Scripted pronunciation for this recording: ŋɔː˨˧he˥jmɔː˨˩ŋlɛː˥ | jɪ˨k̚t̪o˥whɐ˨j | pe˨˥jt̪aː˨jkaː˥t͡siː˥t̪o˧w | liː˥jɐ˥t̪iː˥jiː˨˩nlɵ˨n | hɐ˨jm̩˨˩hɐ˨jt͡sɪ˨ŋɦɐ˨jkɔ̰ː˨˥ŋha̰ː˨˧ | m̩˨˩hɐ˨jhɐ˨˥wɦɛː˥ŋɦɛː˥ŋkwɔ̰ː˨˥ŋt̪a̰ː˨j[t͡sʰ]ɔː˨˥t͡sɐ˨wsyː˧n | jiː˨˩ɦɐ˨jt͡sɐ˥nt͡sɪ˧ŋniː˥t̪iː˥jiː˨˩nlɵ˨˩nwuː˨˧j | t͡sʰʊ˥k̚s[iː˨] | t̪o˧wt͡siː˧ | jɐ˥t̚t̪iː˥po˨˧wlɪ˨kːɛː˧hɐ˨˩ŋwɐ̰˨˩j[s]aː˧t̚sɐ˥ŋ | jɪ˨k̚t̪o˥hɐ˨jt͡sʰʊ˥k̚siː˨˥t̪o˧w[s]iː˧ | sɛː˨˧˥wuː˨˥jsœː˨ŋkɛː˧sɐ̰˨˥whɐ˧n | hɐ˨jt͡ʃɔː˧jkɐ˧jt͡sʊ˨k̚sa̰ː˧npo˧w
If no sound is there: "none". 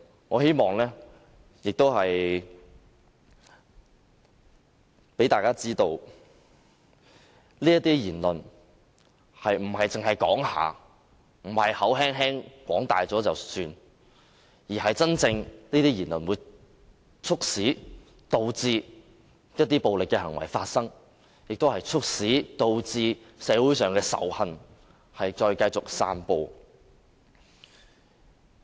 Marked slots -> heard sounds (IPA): t͡s, iː˨˥, f, t͡s

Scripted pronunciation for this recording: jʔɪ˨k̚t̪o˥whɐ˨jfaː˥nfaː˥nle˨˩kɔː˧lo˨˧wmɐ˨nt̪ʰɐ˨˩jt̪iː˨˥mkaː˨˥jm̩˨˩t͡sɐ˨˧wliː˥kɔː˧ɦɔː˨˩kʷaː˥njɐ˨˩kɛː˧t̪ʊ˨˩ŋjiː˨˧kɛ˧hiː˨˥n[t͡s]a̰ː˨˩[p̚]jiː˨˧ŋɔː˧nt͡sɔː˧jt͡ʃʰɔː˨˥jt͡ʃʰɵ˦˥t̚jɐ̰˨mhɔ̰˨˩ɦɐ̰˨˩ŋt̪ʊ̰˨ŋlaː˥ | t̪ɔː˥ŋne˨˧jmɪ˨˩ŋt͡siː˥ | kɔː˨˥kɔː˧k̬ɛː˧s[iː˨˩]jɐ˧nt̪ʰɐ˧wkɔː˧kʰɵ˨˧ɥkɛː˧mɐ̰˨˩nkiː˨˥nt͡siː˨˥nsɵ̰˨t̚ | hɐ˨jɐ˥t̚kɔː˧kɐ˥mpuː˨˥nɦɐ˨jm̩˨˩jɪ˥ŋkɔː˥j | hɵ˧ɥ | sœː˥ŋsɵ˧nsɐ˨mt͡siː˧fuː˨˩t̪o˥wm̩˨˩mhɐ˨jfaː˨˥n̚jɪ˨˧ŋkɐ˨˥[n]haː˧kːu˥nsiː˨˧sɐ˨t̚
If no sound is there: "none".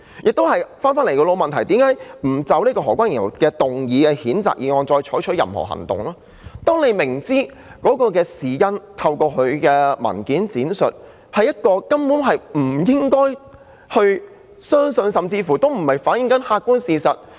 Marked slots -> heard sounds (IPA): t͡s, k̚, iː˨˩, n

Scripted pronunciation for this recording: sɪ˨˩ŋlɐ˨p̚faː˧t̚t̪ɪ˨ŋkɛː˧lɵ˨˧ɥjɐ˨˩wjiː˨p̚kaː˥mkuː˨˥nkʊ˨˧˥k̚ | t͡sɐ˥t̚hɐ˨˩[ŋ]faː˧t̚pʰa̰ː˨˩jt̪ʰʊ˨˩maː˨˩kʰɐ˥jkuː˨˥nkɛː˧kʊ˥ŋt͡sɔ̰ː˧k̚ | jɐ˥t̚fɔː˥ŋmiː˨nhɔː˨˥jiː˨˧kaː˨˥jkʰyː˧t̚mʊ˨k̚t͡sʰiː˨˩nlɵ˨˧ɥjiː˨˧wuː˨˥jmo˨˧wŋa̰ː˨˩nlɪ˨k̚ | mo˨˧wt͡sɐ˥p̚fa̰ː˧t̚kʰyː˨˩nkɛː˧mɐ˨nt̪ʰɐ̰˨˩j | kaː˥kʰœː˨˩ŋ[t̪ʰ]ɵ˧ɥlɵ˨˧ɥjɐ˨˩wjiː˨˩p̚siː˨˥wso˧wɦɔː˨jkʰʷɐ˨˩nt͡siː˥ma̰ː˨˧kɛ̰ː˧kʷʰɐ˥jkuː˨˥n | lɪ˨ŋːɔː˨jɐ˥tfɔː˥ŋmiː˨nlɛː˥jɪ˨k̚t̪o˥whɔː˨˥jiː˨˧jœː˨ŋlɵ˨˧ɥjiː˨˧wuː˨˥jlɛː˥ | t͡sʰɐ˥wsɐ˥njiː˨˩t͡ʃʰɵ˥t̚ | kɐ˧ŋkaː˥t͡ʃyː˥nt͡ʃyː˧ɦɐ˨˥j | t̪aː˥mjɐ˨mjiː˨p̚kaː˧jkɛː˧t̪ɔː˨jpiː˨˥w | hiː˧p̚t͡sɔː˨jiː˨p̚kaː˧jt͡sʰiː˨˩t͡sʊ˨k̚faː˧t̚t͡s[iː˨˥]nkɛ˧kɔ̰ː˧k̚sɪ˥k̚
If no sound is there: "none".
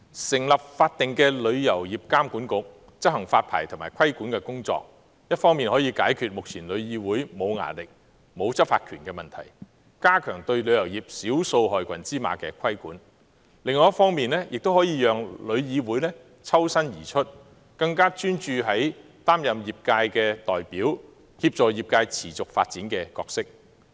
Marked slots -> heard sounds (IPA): ŋ, t̪, iː˨˥

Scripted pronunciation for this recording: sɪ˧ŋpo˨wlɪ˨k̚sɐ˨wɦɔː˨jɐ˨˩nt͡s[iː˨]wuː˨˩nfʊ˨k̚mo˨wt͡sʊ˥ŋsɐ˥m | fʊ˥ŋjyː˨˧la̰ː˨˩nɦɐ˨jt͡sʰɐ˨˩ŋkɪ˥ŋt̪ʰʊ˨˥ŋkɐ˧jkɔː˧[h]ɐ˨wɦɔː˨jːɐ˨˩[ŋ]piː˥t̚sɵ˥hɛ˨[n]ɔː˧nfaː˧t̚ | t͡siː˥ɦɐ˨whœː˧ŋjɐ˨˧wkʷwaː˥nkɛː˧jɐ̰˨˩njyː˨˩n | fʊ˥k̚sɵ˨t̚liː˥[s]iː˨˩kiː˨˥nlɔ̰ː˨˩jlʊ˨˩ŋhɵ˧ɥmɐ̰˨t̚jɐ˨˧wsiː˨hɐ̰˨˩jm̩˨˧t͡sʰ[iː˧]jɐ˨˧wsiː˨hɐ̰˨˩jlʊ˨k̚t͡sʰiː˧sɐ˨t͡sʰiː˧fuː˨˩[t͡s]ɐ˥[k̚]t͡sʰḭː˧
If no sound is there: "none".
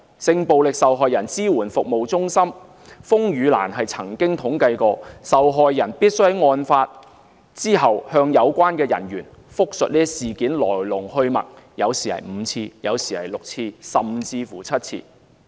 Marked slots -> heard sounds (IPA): iː˥, s, n, ŋ, s, iː˧, t͡sʰ, t̚

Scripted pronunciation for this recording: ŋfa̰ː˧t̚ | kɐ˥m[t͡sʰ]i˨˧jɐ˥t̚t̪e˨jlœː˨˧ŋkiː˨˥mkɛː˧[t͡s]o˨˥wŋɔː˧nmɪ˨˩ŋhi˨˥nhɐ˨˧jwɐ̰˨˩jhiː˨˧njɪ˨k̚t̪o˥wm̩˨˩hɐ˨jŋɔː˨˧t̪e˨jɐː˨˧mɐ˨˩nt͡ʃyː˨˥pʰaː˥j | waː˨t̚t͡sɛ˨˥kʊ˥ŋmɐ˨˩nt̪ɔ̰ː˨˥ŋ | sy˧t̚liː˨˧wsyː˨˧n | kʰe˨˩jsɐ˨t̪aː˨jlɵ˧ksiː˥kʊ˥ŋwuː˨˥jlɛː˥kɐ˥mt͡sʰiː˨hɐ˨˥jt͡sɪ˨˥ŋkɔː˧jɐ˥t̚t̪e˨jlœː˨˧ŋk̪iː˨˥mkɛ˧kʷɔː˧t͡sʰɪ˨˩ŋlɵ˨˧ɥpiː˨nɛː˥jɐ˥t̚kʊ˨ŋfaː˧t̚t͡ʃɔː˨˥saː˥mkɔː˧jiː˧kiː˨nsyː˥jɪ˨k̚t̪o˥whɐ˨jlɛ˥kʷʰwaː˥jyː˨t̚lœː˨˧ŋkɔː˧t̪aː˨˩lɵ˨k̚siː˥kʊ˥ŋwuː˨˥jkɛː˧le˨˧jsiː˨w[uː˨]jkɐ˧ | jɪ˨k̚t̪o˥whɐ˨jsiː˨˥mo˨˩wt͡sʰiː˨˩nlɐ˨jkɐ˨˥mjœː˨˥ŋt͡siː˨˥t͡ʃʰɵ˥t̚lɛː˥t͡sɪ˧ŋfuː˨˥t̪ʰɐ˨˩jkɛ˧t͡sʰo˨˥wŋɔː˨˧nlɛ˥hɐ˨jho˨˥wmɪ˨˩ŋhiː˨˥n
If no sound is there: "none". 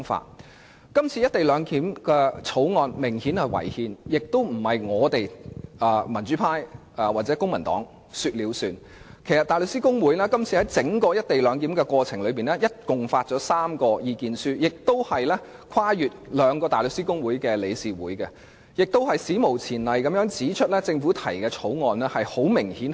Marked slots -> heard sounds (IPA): t͡sʰ, t͡sʰ, uː˨˥

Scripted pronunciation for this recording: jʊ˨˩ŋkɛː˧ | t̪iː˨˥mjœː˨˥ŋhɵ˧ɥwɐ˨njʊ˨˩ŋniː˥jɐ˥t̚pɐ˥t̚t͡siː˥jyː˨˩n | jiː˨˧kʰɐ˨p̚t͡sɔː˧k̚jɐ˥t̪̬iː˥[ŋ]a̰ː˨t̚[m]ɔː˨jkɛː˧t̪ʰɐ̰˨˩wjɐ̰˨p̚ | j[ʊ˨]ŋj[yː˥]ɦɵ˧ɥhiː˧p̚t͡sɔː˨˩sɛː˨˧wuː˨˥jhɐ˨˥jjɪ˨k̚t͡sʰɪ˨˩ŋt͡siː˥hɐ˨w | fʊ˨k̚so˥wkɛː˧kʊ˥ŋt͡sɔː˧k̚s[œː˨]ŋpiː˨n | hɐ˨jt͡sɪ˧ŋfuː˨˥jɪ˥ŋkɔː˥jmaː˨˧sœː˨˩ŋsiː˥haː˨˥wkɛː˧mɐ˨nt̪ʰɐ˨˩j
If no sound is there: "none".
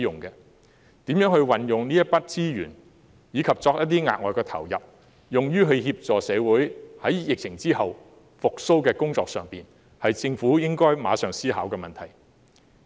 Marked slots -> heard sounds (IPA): ŋ, ŋ, ʊ˨, yː˥, œː˨

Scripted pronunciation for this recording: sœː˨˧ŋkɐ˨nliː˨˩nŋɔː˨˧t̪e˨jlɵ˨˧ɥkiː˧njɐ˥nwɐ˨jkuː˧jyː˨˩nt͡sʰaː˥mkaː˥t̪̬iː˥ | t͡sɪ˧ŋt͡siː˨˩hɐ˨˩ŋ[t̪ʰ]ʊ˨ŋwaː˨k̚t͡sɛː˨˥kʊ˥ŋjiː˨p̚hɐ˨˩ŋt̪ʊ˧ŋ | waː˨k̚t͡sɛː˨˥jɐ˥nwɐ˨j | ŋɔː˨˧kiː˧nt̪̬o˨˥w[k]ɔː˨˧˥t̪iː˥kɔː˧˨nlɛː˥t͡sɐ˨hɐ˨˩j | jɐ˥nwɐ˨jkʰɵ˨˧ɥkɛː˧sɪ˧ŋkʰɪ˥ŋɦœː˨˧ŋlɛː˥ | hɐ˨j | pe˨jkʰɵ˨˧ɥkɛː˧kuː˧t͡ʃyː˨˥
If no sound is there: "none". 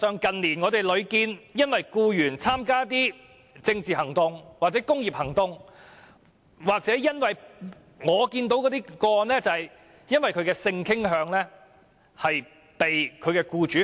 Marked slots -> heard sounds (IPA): t̪, k

